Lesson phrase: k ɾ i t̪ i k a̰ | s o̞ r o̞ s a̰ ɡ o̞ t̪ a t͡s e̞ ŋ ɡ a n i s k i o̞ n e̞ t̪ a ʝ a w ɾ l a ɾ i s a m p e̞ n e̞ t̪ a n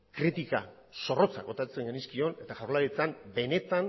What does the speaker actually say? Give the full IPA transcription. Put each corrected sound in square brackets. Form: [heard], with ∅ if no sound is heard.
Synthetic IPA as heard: k ɾ i t̪ i k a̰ | s o̞ r o̞ [t͡s] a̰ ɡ o̞ t̪ a t͡s e̞ ŋ ɡ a n i s k i o̞ n e̞ t̪ a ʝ a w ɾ l a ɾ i [t͡s] a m [b] e̞ n e̞ t̪ a n